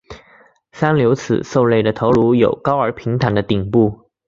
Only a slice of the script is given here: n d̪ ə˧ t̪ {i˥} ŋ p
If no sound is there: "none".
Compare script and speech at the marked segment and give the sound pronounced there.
i˨˩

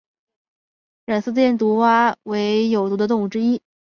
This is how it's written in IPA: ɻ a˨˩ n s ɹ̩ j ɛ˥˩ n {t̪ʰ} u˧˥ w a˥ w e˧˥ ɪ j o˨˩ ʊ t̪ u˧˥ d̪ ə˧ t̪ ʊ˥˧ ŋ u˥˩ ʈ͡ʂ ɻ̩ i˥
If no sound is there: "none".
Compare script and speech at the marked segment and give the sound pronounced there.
t̪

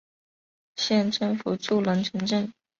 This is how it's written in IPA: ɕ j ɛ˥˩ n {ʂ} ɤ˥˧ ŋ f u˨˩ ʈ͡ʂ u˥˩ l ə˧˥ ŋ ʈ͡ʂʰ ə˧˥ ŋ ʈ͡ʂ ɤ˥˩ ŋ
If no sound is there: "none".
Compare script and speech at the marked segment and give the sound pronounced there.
ʈ͡ʂ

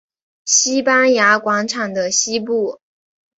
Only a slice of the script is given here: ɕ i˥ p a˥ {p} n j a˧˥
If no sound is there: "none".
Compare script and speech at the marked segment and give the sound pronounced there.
none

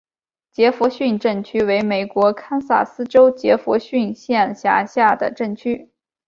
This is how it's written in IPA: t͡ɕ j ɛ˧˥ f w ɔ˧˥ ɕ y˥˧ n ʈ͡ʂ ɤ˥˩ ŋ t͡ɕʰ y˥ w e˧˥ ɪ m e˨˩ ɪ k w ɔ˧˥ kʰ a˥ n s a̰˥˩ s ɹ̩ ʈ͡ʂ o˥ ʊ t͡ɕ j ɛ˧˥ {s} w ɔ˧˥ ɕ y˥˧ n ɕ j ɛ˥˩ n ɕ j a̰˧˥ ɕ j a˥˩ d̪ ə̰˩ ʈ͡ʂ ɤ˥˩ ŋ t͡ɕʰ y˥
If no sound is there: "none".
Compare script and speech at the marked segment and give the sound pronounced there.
f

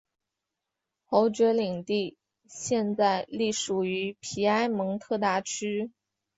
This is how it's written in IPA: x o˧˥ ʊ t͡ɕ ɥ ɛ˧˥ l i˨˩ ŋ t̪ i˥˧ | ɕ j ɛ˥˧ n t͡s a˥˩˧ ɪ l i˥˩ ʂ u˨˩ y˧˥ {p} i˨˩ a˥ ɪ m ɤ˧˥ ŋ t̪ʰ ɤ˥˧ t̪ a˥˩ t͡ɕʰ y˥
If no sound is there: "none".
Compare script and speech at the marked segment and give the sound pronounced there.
pʰ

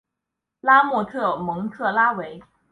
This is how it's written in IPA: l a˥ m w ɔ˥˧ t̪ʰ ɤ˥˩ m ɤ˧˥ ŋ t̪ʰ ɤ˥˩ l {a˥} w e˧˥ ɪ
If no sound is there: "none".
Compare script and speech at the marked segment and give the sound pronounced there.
a˥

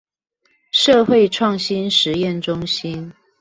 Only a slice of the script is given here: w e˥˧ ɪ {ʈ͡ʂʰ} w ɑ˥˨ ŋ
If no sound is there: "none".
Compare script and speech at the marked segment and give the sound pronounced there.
ʈ͡ʂʰ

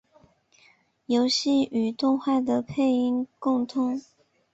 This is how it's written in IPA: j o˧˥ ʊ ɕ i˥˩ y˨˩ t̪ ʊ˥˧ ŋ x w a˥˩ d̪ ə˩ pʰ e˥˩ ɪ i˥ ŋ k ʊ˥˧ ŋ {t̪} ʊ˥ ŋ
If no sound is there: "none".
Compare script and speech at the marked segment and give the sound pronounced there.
t̪ʰ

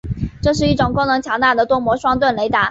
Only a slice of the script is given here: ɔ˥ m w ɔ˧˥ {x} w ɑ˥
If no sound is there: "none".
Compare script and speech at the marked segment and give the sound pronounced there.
ʂ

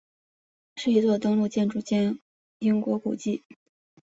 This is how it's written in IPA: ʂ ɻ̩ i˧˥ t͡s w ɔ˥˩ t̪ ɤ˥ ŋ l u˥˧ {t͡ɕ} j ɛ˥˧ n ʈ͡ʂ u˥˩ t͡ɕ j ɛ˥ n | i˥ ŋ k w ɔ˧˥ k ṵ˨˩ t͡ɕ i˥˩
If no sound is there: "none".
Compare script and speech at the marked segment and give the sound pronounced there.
t͡ɕ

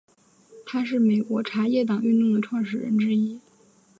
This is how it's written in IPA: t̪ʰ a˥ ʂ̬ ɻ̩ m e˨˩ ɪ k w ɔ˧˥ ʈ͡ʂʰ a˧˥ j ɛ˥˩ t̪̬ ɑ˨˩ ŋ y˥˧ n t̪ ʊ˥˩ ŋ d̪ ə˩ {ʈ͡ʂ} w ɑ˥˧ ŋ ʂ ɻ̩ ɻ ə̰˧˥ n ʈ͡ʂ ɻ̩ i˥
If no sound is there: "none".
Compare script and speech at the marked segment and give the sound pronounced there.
ʈ͡ʂʰ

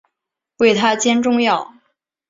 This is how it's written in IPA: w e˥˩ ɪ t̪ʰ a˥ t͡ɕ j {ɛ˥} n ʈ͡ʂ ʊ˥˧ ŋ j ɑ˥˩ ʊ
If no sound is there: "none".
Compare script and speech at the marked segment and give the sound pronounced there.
ɛ˥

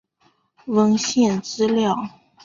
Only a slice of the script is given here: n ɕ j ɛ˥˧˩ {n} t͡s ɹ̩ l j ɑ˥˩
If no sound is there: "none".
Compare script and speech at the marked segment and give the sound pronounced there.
n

